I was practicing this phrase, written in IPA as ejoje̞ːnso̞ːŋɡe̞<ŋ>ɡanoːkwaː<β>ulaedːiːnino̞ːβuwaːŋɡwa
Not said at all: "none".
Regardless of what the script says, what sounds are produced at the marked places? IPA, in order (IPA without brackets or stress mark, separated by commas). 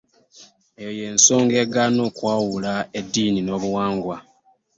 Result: none, w